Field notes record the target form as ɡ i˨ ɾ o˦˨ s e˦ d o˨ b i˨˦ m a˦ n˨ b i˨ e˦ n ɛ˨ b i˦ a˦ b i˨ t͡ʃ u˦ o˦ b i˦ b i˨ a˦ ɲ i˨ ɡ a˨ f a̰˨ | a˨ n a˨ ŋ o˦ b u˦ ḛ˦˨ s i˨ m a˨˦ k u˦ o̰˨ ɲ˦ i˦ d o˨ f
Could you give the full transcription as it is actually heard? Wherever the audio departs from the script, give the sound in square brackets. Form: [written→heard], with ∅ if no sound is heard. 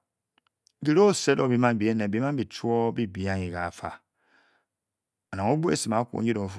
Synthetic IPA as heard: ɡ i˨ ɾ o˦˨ s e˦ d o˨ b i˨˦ m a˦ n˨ b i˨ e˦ n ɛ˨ b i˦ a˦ b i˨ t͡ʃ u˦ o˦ b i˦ b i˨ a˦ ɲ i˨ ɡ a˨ f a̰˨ | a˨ n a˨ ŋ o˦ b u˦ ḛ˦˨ s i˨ m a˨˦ k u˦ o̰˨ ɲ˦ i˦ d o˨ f